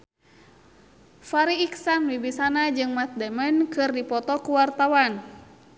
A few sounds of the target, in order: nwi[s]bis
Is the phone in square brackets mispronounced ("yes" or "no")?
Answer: yes